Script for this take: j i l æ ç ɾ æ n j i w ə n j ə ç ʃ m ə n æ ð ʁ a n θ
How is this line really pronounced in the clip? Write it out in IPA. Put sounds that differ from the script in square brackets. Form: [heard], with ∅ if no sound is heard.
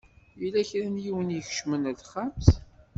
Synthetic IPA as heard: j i l æ ç ɾ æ n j i w ə n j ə ç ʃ m ə n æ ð [χ] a [m] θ